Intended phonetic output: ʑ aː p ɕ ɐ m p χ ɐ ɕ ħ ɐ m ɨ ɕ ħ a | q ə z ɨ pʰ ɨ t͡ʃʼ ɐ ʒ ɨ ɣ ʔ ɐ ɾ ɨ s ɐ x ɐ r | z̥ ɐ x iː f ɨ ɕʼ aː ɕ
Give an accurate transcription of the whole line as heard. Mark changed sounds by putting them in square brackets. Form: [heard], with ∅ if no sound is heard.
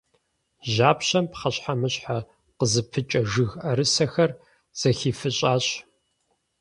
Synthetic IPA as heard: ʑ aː p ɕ ɐ m p χ ɐ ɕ ħ [a] m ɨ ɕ ħ a | q ə z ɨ pʰ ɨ t͡ʃʼ ɐ ʒ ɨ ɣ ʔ ɐ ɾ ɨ s ɐ x ɐ r | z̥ ɐ x iː f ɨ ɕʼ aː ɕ